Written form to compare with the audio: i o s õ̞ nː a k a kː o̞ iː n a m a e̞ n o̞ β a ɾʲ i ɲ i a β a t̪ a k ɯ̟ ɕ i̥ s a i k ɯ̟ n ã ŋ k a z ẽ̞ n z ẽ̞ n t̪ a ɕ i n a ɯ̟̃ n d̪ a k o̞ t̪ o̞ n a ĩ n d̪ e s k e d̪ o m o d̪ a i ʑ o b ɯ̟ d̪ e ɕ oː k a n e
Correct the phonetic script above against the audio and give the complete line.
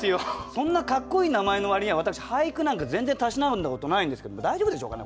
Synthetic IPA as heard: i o s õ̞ nː a k a kː o̞ iː n a m a e̞ n o̞ β a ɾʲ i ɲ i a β a t̪ a k ɯ̟ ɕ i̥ h a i k ɯ̟ n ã ŋ k a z ẽ̞ n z e̞ n t̪ a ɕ i n a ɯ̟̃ n d̪ a k o̞ t̪ o̞ n a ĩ n d̪ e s k e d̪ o m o d̪ a i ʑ o b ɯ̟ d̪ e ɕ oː k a n e